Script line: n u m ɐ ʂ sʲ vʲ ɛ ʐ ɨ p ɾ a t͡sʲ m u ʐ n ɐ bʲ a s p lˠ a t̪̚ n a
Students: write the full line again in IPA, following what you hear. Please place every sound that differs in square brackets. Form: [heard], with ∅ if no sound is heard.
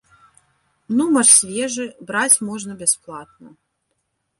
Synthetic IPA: n u m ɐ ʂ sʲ vʲ ɛ ʐ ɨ [b] ɾ a t͡sʲ m [ɔ] ʐ n ɐ bʲ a s p lˠ a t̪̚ n [ɐ]